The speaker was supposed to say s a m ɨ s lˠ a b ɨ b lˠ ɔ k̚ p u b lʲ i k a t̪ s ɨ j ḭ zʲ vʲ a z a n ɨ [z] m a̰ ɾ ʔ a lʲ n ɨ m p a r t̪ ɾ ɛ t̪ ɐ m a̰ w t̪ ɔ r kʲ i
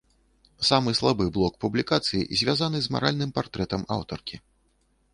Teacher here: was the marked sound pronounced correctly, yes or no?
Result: yes